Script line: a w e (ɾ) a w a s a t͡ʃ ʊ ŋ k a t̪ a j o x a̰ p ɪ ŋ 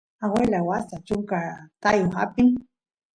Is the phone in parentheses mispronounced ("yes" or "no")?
yes